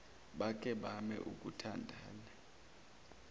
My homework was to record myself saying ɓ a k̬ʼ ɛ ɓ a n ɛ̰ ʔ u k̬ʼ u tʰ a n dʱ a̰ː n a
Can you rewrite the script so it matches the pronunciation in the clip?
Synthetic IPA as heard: ɓ a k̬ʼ ɛ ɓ a m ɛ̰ ʔ u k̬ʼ u tʰ a n dʱ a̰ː n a